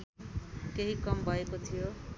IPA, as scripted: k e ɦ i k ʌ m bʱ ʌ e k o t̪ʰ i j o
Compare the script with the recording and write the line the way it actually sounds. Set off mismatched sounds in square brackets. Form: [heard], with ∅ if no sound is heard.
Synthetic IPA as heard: k e ɦ i k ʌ m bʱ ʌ e k o t̪ʰ i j o